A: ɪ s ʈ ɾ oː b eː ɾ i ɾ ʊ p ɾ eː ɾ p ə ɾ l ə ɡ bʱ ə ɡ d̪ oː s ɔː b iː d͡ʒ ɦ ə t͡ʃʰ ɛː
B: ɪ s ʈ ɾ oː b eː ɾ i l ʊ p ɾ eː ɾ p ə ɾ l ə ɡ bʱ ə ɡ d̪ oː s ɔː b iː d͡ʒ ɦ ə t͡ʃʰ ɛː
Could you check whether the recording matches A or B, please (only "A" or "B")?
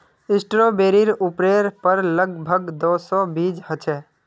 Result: A